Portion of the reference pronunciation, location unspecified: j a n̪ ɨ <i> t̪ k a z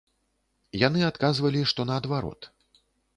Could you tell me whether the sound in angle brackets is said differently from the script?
yes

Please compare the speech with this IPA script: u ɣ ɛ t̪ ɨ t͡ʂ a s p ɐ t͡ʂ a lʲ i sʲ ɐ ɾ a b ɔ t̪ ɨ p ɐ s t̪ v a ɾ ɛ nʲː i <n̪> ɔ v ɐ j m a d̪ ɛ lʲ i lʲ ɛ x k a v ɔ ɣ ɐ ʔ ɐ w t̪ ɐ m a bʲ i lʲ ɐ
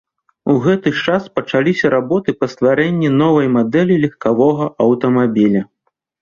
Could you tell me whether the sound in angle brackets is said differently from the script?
no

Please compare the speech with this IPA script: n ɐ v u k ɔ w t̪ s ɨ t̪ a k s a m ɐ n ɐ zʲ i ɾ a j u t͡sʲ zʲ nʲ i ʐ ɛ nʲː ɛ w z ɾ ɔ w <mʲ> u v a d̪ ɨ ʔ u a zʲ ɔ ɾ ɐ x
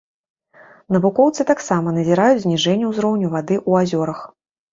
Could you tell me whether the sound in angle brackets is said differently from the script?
yes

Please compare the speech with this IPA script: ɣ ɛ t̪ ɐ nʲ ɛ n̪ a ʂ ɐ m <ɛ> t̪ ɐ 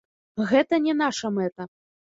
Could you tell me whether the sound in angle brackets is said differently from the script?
no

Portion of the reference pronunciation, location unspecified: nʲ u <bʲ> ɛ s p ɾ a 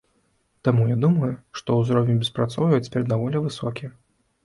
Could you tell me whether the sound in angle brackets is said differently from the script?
no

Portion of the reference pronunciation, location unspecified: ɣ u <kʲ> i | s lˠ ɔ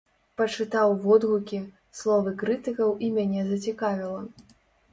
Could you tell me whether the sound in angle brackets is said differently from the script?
no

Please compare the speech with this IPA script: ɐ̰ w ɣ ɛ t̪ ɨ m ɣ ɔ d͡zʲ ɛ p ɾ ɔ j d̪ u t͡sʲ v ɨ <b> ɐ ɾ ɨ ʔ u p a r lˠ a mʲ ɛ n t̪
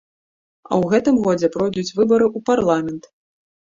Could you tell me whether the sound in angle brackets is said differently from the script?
no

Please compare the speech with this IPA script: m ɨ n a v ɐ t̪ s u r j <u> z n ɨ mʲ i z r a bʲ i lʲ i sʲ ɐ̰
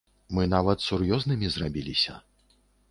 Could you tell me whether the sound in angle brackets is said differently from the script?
yes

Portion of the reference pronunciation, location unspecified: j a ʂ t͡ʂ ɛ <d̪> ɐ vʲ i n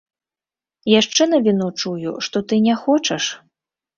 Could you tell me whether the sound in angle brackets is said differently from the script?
yes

